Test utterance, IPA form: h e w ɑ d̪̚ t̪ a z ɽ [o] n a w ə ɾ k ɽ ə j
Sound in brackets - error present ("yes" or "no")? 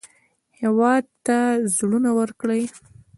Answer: yes